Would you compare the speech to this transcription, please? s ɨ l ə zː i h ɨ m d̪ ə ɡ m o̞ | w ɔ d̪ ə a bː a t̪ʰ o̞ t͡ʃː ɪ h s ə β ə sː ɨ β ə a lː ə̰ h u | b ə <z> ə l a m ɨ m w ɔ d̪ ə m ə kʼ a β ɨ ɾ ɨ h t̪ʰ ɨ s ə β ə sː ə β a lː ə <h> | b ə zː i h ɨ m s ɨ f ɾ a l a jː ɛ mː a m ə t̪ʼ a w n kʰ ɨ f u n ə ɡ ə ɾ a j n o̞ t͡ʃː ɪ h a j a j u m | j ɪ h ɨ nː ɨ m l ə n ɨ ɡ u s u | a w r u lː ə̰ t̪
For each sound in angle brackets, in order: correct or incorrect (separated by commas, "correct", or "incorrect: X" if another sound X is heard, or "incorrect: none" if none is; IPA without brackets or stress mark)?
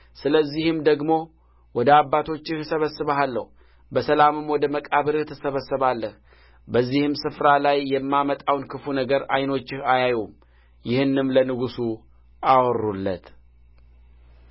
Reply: incorrect: s, correct